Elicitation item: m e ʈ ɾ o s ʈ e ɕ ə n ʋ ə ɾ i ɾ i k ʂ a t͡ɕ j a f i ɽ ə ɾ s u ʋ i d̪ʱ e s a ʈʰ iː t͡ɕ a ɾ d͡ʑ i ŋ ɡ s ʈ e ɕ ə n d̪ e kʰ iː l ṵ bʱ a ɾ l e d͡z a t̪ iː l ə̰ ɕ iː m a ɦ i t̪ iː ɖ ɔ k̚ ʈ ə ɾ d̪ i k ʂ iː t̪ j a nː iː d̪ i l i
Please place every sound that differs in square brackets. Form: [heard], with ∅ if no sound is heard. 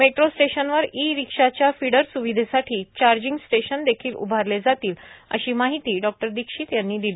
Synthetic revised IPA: m e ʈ ɾ o s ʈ e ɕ ə n ʋ ə ɾ i ɾ i k ʂ a t͡ɕ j a f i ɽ ə ɾ s u ʋ i d̪ʱ e s a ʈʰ iː t͡ɕ a ɾ d͡ʑ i ŋ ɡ s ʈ e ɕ ə n d̪ e kʰ iː l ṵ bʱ a ɾ l e d͡z a t̪ iː l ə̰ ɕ iː m a ɦ i t̪ iː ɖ ɔ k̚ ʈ ə ɾ d̪ i k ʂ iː t̪ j a nː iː d̪ i l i